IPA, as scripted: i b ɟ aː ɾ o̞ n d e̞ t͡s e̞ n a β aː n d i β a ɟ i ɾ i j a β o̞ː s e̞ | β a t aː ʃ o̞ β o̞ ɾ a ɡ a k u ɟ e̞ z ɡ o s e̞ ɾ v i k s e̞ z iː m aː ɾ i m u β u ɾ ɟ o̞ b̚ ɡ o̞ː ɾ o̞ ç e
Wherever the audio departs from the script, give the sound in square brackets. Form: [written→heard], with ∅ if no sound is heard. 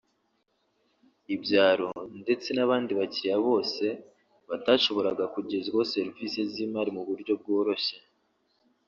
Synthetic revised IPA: i b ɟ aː ɾ o̞ n d e̞ t͡s e̞ n a β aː n d i β a [ɟ→c] i ɾ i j a β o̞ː s e̞ | β a t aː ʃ o̞ β o̞ ɾ a ɡ a k u ɟ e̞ z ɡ o s e̞ ɾ v i [k→∅] s e̞ z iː m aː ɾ i m u β u ɾ ɟ o̞ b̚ ɡ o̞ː ɾ o̞ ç e